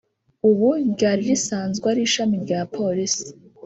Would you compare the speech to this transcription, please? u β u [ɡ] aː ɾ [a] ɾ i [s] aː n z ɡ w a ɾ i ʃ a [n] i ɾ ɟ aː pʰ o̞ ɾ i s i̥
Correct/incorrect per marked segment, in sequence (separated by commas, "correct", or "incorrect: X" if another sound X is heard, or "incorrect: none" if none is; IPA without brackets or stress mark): incorrect: ɟ, incorrect: i, correct, incorrect: m